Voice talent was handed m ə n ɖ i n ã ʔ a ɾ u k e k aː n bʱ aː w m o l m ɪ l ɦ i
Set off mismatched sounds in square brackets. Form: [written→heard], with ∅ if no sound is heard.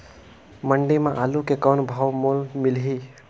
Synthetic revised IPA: m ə [n→ɳ] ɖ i [n→m] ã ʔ a [ɾ→l] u k e k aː n bʱ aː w m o l m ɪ l ɦ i